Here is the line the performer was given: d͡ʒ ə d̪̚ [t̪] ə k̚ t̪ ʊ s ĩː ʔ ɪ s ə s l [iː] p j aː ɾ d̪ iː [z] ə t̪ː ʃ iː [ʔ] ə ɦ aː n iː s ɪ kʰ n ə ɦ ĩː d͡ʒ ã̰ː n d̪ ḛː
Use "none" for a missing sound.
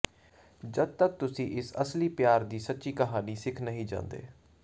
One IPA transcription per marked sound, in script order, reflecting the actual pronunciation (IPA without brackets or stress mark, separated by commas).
t̪, iː, s, k